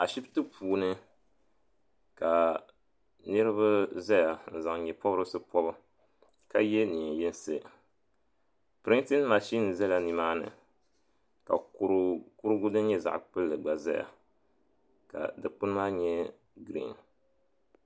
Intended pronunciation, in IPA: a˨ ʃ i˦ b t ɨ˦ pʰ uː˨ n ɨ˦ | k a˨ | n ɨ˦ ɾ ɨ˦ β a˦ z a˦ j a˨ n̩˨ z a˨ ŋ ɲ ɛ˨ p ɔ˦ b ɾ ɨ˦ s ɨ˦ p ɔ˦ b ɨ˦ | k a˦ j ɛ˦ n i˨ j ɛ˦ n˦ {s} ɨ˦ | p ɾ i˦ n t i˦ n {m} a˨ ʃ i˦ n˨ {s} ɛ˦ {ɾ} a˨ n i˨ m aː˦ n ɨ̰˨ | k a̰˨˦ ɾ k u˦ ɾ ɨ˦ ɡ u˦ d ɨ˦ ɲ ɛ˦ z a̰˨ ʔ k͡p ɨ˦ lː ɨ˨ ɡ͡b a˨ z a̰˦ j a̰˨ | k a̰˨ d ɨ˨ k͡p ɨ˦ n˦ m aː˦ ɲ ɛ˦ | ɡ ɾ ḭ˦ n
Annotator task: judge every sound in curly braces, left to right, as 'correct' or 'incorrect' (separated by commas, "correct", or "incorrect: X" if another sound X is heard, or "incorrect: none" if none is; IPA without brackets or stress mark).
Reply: correct, correct, incorrect: z, incorrect: l